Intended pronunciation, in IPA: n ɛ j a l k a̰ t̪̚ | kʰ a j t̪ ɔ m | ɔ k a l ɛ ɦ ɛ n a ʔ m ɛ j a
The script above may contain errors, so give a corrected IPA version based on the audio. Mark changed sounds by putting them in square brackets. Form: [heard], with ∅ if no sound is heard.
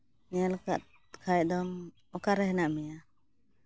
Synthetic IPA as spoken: n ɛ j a l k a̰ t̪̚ | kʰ a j [d̪] ɔ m | ɔ k a [ɾ] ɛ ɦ ɛ n a ʔ m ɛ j a